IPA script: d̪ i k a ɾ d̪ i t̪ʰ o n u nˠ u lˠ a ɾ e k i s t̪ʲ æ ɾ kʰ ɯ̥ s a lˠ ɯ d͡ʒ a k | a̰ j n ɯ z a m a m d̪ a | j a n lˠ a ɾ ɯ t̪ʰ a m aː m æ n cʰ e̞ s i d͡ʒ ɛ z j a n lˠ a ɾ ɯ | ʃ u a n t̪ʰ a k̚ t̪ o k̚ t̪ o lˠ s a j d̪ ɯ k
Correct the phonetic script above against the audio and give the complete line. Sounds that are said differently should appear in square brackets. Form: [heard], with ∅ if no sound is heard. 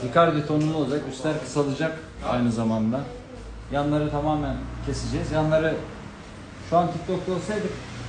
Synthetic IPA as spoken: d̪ i k a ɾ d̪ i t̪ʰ o n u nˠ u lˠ a ɾ [a] k [y] s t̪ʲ æ ɾ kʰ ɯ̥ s a lˠ ɯ d͡ʒ a k | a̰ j n ɯ z a m a [n] d̪ a | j a n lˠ a ɾ ɯ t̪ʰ a m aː m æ n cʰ e̞ s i d͡ʒ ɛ z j a n lˠ a ɾ ɯ | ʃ u a n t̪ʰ [i] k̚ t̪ o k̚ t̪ o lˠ s a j d̪ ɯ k